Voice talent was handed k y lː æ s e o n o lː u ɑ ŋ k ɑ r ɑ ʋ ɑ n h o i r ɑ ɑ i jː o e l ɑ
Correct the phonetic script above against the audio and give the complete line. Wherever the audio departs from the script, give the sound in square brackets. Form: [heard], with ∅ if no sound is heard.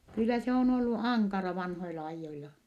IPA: k y lː æ s e o n o lː u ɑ ŋ k ɑ r ɑ ʋ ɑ n h o i [l] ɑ ɑ i jː o [i] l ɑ